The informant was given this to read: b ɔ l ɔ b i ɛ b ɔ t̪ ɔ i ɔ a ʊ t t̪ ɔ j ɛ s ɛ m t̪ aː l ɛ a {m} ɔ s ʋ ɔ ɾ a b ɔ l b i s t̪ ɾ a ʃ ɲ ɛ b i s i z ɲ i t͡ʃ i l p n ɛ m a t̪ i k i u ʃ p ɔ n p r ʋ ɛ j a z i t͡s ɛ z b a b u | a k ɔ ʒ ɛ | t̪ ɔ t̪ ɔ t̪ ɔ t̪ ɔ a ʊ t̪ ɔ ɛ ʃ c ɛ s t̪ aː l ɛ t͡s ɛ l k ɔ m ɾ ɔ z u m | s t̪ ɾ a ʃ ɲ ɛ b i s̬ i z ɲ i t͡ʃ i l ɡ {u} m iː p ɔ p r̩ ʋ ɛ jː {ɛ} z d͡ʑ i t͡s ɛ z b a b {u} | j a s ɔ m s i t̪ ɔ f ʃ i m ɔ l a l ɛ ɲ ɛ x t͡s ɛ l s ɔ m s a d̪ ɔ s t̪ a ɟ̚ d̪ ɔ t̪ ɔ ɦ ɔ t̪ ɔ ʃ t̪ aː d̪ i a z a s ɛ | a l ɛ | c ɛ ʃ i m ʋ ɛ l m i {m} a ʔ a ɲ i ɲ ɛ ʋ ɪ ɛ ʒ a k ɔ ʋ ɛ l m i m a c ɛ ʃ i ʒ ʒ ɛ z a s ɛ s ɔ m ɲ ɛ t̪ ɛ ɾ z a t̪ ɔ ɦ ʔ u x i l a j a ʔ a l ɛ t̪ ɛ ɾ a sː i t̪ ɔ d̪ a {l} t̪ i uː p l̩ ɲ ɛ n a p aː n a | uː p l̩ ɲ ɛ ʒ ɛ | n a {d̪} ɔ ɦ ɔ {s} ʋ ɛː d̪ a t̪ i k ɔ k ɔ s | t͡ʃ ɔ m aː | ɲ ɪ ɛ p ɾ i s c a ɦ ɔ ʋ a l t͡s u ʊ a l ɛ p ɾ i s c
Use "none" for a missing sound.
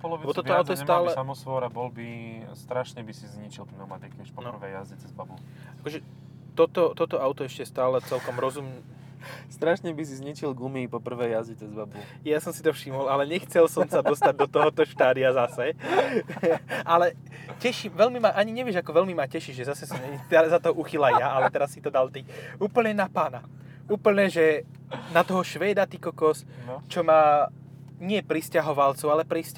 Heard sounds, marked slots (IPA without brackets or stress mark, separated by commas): m, u, a, u, m, l, t̪, ʃ